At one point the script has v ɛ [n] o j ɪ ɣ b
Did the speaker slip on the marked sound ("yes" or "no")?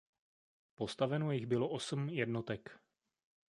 no